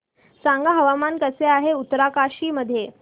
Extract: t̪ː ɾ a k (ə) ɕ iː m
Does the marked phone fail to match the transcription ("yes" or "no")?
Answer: yes